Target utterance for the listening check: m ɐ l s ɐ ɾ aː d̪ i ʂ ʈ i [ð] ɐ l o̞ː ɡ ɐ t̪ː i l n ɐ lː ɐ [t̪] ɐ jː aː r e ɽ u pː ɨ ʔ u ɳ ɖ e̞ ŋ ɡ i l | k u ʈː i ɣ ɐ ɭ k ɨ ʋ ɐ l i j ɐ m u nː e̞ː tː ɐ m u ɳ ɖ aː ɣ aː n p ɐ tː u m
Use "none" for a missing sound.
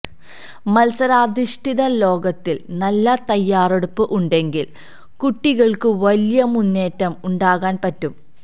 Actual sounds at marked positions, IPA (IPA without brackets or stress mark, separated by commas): ð, t̪